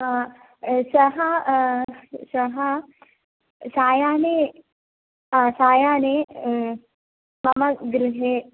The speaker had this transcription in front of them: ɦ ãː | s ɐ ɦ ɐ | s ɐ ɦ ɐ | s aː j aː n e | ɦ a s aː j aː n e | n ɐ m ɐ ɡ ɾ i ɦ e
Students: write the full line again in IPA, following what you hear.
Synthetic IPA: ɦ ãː | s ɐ ɦ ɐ | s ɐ ɦ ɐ | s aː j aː n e | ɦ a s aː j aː n e | m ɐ m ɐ ɡ ɾ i ɦ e

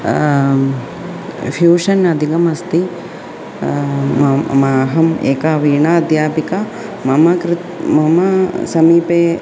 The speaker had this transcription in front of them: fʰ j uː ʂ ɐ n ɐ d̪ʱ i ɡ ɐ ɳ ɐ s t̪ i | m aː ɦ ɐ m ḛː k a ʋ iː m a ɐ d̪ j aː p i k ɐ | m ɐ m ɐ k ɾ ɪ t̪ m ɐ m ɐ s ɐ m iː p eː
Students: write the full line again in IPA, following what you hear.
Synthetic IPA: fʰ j uː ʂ ɐ n ɐ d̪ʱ i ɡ ɐ m ɐ s t̪ i | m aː ɦ ɐ m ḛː k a ʋ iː ɳ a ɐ d̪ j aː p i k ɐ | m ɐ m ɐ k ɾ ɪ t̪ m ɐ m ɐ s ɐ m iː p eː

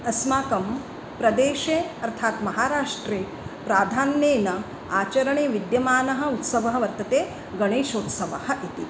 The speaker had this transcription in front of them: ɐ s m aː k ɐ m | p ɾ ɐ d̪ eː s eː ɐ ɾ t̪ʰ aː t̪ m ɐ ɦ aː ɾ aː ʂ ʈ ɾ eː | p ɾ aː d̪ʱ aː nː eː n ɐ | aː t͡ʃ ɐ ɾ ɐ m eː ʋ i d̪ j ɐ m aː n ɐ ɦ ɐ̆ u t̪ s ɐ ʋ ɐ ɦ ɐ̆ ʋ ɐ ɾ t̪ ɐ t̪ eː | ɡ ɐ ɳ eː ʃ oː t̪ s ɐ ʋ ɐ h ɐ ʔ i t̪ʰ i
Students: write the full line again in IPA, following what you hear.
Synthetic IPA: ɐ s m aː k ɐ m | p ɾ ɐ d̪ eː ʃ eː ɐ ɾ t̪ʰ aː t̪ m ɐ ɦ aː ɾ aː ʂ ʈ ɾ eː | p ɾ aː d̪ʱ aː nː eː n ɐ | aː t͡ʃ ɐ ɾ ɐ ɳ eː ʋ i d̪ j ɐ m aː n ɐ ɦ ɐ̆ u t̪ s ɐ ʋ ɐ ɦ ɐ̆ ʋ ɐ ɾ t̪ ɐ t̪ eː | ɡ ɐ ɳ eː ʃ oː t̪ s ɐ ʋ ɐ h ɐ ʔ i t̪ i

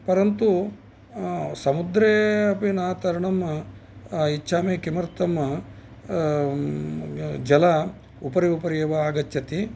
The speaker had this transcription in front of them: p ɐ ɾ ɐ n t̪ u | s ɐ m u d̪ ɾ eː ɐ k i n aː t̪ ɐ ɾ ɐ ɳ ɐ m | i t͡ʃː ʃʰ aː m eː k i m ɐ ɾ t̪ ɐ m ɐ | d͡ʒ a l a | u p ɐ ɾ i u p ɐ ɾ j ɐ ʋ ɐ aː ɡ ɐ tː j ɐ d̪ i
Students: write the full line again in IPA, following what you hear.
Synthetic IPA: p ɐ ɾ ɐ n t̪ u | s ɐ m u d̪ ɾ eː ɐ p i n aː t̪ ɐ ɾ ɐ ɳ ɐ m | i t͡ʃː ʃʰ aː m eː k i m ɐ ɾ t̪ ɐ m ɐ | d͡ʒ ɐ l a | u p ɐ ɾ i u p ɐ ɾ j ɐ ʋ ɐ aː ɡ ɐ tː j ɐ t̪ i

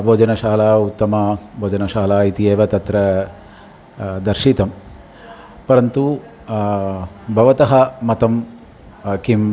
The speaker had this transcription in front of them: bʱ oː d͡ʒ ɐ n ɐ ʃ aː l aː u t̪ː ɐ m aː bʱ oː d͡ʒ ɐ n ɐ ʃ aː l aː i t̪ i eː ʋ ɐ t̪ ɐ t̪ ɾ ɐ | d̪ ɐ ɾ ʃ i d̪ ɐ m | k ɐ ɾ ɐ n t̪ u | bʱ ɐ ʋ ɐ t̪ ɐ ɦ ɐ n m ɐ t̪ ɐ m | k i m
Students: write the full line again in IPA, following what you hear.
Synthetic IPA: bʱ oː d͡ʒ ɐ n ɐ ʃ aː l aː u t̪ː ɐ m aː bʱ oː d͡ʒ ɐ n ɐ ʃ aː l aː i t̪ i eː ʋ ɐ t̪ ɐ t̪ ɾ ɐ | d̪ ɐ ɾ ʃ i t̪ ɐ m | p ɐ ɾ ɐ n t̪ u | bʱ ɐ ʋ ɐ t̪ ɐ ɦ ɐ m ɐ t̪ ɐ m | k i m

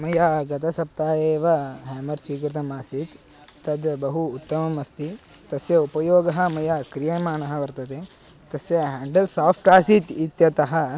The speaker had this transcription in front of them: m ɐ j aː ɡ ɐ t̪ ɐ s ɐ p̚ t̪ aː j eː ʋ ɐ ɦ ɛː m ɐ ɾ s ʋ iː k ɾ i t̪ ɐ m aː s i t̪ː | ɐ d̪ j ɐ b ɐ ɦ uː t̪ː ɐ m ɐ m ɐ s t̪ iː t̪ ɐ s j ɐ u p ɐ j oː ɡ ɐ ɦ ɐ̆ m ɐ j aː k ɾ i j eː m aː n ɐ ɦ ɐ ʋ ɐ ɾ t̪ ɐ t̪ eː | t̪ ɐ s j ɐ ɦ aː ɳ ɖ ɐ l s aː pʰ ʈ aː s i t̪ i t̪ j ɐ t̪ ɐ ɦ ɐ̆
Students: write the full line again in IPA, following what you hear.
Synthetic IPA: m ɐ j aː ɡ ɐ t̪ ɐ s ɐ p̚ t̪ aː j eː ʋ ɐ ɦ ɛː m ɐ ɾ s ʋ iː k ɾ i t̪ ɐ m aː s i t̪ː | ɐ d̪ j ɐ b ɐ ɦ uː t̪ː ɐ m ɐ m ɐ s t̪ i t̪ ɐ s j ɐ u p ɐ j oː ɡ ɐ ɦ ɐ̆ m ɐ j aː k ɾ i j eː m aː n ɐ ɦ ɐ ʋ ɐ ɾ t̪ ɐ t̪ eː | t̪ ɐ s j ɐ ɦ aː ɳ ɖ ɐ l s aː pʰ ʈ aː s i t̪ i t̪ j ɐ t̪ ɐ ɦ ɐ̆

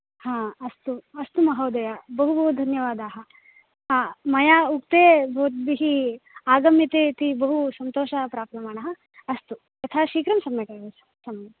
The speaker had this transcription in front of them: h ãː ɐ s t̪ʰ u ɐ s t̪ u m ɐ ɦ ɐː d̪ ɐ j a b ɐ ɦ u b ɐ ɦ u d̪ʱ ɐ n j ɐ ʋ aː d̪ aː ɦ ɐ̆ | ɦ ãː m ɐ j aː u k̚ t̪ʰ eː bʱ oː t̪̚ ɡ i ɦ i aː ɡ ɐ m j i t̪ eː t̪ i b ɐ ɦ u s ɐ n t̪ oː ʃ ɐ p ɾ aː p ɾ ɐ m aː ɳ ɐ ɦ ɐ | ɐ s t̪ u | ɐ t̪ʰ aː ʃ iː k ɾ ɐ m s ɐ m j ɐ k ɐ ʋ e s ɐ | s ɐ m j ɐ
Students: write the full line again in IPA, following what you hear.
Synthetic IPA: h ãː ɐ s t̪ u ɐ s t̪ u m ɐ ɦ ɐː d̪ ɐ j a b ɐ ɦ u b ɐ ɦ u d̪ʱ ɐ n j ɐ ʋ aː d̪ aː ɦ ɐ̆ | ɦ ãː m ɐ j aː u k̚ t̪ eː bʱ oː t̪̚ b i ɦ i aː ɡ ɐ m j i t̪ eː t̪ i b ɐ ɦ u s ɐ n t̪ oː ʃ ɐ p ɾ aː p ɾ ɐ m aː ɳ ɐ ɦ ɐ | ɐ s t̪ u | ɐ t̪ʰ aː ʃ iː k ɾ ɐ m s ɐ m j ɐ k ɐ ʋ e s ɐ | s ɐ m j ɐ

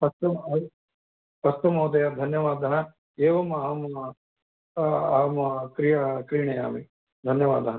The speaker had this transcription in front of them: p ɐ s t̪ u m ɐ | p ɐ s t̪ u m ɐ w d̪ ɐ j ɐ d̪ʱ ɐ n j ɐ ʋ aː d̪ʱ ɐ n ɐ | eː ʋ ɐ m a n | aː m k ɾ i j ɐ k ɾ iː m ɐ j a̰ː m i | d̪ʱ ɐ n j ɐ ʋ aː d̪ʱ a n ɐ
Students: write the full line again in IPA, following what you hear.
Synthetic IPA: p ɐ s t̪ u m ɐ | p ɐ s t̪ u m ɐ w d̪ ɐ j ɐ d̪ʱ ɐ n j ɐ ʋ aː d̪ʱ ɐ n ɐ | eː ʋ ɐ m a m | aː m k ɾ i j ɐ k ɾ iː ɳ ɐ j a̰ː m i | d̪ʱ ɐ n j ɐ ʋ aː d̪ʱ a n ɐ

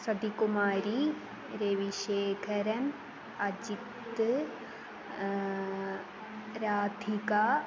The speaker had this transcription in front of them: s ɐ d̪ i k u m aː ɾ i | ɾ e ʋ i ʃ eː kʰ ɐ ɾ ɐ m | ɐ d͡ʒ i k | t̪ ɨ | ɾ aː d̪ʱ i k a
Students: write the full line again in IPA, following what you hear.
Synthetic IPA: s ɐ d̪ i k u m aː ɾ i | ɾ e ʋ i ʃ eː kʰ ɐ ɾ ɐ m | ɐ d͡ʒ i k | t̪ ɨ | ɾ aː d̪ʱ i k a

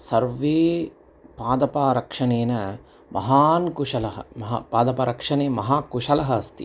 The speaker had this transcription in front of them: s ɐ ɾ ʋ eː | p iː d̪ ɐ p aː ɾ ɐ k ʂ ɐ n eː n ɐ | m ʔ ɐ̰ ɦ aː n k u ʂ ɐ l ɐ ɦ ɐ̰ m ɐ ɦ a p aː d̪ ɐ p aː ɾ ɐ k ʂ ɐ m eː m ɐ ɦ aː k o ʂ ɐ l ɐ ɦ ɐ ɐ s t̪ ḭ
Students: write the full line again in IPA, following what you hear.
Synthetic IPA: s ɐ ɾ ʋ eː | p aː d̪ ɐ p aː ɾ ɐ k ʂ ɐ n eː n ɐ | m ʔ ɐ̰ ɦ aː n k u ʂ ɐ l ɐ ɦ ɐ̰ m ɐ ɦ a p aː d̪ ɐ p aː ɾ ɐ k ʂ ɐ n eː m ɐ ɦ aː k u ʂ ɐ l ɐ ɦ ɐ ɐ s t̪ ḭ

